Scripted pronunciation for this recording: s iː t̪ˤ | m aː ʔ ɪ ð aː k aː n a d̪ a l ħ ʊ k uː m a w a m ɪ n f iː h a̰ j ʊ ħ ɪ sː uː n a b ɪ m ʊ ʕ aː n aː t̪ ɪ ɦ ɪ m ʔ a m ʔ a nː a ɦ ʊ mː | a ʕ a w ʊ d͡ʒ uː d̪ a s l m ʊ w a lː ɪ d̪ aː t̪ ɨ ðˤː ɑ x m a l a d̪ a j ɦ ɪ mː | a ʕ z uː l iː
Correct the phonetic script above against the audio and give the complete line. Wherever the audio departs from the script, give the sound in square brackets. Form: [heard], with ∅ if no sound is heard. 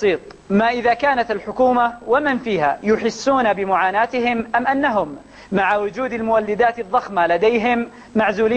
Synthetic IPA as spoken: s iː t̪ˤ | m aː ʔ ɪ ð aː k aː n a [t̪] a l ħ ʊ k uː m a w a m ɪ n f iː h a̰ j ʊ ħ ɪ sː uː n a b ɪ m ʊ ʕ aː n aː t̪ ɪ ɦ ɪ m ʔ a m ʔ a nː a ɦ ʊ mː | a ʕ a w ʊ d͡ʒ uː d̪ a [∅] l m ʊ w a lː ɪ d̪ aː t̪ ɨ ðˤː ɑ x m a l a d̪ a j ɦ ɪ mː | a ʕ z uː l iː